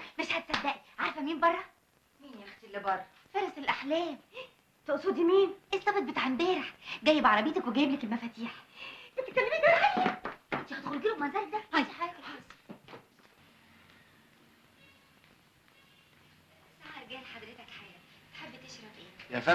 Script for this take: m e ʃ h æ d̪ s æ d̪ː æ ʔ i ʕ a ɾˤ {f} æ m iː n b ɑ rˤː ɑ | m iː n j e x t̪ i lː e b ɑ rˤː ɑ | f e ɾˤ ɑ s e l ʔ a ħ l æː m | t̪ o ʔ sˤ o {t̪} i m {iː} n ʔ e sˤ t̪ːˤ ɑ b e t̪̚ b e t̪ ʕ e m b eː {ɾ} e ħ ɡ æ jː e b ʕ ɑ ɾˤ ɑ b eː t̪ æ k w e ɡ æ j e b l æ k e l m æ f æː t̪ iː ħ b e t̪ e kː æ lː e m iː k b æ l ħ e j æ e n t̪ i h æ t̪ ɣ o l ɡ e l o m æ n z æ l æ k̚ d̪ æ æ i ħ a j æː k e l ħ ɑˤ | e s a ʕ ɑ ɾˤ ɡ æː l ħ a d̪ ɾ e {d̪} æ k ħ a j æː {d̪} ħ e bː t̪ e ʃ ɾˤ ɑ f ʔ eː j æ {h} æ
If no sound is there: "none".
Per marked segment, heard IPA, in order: f, d̪, iː, ɾ, t̪, t̪, f

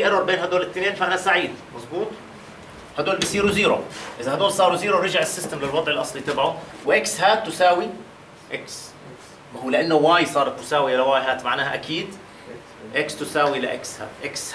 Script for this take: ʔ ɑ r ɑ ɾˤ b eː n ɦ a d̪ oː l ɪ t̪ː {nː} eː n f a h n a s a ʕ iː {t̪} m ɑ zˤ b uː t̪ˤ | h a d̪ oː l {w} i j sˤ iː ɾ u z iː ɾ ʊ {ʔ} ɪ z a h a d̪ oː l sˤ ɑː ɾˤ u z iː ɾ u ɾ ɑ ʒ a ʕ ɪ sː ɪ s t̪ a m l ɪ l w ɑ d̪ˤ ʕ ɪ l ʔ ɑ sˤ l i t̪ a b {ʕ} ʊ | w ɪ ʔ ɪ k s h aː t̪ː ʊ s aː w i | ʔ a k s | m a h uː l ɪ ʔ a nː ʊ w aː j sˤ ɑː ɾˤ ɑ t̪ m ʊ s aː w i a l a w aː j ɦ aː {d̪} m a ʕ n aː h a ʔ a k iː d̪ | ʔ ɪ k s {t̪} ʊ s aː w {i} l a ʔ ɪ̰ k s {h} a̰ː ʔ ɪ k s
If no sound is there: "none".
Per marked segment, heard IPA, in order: n, d̪, b, ʔ, ʕ, t̪, t̪, i, h

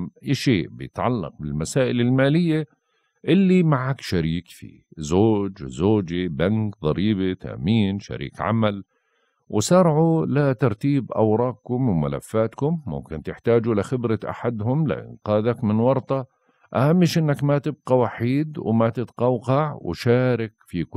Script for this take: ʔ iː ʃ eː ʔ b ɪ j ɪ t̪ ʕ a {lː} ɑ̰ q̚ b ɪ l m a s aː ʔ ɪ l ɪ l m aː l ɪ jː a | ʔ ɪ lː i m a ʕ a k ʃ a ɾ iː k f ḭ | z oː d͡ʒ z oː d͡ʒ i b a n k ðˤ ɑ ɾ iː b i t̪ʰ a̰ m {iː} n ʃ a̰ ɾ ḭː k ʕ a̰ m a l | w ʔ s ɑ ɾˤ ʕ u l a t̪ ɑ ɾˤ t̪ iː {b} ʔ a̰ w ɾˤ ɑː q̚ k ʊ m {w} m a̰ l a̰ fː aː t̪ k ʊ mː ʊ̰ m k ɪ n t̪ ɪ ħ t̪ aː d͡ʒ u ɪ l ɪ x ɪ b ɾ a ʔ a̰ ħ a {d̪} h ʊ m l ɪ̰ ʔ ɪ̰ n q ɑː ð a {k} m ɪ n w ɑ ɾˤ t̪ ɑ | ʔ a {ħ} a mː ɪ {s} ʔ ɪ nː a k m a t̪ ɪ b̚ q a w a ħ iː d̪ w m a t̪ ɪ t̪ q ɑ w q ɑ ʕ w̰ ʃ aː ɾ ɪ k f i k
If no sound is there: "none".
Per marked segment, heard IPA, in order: lː, iː, b, w, d̪, k, h, ʃ

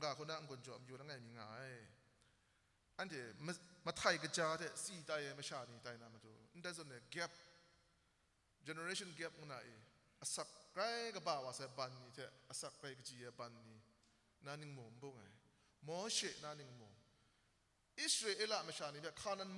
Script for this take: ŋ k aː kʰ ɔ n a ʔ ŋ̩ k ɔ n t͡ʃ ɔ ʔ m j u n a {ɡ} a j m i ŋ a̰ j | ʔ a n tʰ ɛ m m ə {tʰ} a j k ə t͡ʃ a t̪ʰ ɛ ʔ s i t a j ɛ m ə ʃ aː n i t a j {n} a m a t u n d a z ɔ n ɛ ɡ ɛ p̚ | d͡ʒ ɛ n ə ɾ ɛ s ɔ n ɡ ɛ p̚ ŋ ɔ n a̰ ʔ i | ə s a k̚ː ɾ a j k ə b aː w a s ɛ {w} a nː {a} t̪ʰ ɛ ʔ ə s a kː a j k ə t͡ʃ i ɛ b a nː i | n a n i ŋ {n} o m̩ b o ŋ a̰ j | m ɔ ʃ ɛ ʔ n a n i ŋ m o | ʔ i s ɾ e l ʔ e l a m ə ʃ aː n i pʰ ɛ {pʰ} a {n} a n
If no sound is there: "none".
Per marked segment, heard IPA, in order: ŋ, tʰ, n, b, i, m, kʰ, n

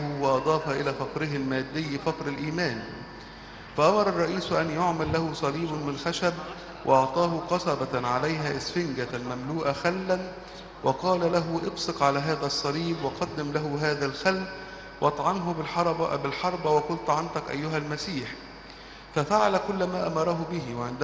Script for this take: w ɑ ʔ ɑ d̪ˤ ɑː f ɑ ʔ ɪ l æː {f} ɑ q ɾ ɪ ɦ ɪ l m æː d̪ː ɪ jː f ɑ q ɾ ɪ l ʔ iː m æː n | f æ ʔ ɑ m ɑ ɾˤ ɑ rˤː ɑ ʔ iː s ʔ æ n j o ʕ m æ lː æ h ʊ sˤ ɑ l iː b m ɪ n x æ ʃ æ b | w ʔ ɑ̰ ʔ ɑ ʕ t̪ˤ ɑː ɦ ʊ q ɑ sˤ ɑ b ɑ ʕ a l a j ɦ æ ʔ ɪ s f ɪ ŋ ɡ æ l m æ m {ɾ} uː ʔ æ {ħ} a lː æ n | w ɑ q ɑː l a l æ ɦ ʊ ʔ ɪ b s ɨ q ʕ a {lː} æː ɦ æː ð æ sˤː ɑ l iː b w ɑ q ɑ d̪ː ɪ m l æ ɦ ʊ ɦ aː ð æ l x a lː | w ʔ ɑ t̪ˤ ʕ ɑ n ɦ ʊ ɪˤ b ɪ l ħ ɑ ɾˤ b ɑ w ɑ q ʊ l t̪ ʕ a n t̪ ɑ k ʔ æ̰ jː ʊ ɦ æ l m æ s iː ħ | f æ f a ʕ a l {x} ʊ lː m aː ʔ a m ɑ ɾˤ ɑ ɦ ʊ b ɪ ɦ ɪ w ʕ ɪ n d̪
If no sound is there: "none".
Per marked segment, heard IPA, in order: f, l, x, l, k

